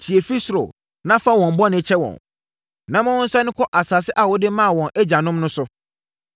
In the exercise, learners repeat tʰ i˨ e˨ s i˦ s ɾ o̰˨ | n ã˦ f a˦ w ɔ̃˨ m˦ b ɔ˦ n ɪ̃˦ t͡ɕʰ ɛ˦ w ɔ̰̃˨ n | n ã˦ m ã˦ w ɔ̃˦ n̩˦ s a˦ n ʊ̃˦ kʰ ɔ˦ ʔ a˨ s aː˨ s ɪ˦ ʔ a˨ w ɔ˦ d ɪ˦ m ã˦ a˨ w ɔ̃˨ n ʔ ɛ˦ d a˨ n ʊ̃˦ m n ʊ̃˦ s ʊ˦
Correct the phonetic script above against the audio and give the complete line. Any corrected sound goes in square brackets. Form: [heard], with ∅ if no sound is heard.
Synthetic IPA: tʰ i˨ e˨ [f] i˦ s ɾ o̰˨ | n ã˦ f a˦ w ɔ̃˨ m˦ b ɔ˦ n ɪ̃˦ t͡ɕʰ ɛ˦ w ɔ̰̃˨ n | n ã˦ m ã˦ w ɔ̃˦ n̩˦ s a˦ n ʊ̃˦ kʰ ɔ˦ ʔ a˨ s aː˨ s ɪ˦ ʔ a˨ w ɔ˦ d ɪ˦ m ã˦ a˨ w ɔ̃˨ n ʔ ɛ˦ [d͡ʑ] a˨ n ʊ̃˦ m n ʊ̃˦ s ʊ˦